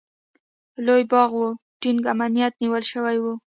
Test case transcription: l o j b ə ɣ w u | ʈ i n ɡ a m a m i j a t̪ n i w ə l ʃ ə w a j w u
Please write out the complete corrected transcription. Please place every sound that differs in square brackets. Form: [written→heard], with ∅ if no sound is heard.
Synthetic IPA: l o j b [ə→ɑ] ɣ w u | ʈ i n ɡ a m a [m→n] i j a t̪ n i w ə l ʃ ə w a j w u